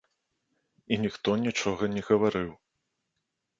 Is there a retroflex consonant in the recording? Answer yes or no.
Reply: yes